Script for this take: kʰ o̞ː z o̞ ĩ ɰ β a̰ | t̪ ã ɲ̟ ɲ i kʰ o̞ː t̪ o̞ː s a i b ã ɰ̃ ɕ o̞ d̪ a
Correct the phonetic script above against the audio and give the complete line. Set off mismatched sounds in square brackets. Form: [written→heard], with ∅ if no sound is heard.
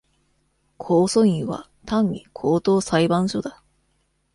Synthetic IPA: kʰ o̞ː [z→s] o̞ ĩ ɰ β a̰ | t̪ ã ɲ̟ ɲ i kʰ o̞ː t̪ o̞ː s a i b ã ɰ̃ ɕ o̞ d̪ a